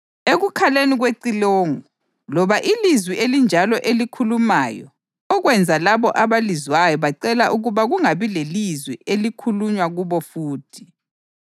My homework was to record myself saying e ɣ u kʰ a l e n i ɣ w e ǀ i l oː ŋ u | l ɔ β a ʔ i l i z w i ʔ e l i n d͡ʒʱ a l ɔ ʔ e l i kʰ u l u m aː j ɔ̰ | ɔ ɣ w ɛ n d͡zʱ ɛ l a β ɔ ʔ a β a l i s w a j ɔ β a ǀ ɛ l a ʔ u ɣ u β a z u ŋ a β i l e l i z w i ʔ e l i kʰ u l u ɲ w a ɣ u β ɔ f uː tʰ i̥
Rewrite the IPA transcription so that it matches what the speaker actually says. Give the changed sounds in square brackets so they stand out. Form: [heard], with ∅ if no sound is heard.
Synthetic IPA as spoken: e ɣ u kʰ a l e n i ɣ w e ǀ i l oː ŋ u | l ɔ β a ʔ i l i z w i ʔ e l i n d͡ʒʱ a l ɔ ʔ e l i kʰ u l u m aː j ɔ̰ | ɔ ɣ w ɛ n d͡zʱ [a] l a β ɔ ʔ a β a l i [z] w a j ɔ β a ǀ ɛ l a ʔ u ɣ u β a [ɣ] u ŋ a β i l e l i z w i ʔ e l i kʰ u l u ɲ w a ɣ u β ɔ f uː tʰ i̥